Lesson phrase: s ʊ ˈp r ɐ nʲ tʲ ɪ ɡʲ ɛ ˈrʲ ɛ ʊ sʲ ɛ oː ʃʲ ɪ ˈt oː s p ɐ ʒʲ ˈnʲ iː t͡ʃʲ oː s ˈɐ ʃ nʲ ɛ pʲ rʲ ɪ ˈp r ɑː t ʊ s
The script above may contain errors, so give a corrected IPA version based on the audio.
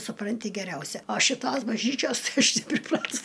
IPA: s ʊ ˈp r ɐ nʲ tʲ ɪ ɡʲ ɛ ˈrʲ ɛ ʊ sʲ ɛ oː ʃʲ ɪ ˈt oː s b ɐ ʒʲ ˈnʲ iː t͡ʃʲ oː s ˈɐ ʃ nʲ ɛ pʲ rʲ ɪ ˈp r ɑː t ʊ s